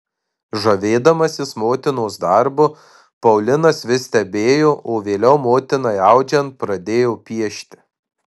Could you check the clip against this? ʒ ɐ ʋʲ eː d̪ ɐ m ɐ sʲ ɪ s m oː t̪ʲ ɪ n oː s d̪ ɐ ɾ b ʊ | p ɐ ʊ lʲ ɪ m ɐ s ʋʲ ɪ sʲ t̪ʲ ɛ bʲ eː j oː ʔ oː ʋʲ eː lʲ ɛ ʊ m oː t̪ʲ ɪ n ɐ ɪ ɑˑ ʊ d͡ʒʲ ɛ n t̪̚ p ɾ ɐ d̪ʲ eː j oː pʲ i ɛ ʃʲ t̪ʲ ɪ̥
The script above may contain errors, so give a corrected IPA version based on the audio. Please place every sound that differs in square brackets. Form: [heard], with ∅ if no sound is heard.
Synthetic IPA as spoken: ʒ ɐ ʋʲ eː d̪ ɐ m ɐ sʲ ɪ s m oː t̪ʲ ɪ n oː s d̪ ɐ ɾ b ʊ | p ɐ ʊ lʲ ɪ [n] ɐ s ʋʲ ɪ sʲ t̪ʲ ɛ bʲ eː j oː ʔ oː ʋʲ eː lʲ ɛ ʊ m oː t̪ʲ ɪ n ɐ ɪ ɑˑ ʊ d͡ʒʲ ɛ n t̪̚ p ɾ ɐ d̪ʲ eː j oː pʲ i ɛ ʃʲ t̪ʲ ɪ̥